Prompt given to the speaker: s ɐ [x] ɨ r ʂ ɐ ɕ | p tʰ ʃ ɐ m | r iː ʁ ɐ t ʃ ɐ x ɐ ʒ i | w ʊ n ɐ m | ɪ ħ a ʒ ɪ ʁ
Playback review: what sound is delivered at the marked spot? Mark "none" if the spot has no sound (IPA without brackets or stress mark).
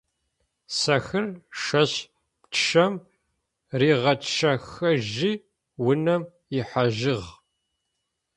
x